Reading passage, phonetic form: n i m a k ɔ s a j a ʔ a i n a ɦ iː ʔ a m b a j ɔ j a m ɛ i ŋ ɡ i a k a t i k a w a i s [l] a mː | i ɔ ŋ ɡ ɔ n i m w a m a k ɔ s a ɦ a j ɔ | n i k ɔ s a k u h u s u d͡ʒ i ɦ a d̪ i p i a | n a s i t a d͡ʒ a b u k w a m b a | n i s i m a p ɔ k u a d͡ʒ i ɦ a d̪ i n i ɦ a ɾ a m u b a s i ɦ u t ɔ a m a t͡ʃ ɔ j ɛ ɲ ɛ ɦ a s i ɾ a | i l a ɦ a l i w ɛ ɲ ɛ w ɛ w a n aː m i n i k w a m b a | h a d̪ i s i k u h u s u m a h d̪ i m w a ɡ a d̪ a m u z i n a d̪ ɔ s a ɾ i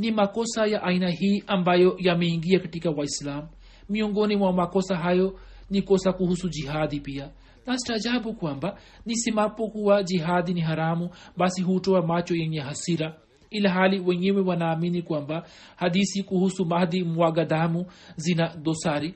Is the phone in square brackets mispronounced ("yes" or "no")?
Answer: no